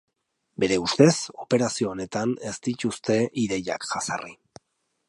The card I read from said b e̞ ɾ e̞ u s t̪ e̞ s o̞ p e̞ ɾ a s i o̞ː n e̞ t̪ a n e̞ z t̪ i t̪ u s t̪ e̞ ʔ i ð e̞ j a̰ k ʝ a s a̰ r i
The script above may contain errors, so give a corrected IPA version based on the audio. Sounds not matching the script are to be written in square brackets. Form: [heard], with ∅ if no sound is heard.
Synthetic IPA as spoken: b e̞ ɾ e̞ u s t̪ e̞ s o̞ p e̞ ɾ a s i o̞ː n e̞ t̪ a n e̞ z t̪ i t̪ u s t̪ e̞ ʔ i ð e̞ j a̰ k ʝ a s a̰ r i